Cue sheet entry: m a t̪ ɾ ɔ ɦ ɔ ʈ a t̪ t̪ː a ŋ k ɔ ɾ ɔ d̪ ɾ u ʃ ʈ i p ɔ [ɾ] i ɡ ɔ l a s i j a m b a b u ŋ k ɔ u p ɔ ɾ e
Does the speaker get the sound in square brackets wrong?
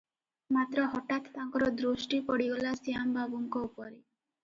yes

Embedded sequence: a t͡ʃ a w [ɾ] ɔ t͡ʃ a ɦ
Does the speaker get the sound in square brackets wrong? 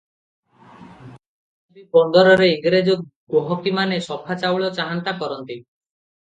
yes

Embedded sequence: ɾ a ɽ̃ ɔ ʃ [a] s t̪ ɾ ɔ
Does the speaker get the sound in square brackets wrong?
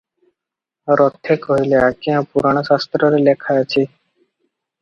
no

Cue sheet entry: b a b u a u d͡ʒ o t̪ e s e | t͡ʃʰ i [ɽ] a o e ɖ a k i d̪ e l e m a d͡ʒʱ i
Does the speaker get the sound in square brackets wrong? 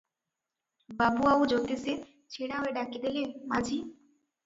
no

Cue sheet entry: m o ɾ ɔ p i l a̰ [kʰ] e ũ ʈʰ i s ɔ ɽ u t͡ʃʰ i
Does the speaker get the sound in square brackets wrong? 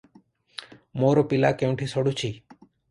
yes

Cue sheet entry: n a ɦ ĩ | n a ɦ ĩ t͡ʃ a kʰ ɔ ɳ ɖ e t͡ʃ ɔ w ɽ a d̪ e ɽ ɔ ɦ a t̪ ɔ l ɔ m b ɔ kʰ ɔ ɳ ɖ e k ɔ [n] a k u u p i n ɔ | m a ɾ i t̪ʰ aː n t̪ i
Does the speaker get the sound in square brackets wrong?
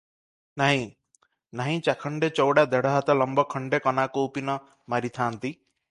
no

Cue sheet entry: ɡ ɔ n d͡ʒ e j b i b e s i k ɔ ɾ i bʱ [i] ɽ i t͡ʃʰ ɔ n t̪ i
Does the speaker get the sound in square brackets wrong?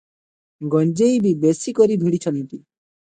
no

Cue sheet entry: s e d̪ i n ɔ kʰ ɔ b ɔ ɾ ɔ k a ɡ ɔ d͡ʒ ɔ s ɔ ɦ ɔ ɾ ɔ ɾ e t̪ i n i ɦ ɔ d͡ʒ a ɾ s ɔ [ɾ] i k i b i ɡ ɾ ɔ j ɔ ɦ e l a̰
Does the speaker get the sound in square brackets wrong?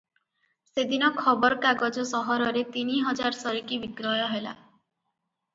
no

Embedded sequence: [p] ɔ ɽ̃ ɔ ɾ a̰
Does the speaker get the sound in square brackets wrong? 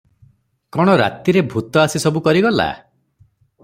yes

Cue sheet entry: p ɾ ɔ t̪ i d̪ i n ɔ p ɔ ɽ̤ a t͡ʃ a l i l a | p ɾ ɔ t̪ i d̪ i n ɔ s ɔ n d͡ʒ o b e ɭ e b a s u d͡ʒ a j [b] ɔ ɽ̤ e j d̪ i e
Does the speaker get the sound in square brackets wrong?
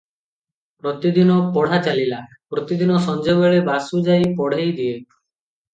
yes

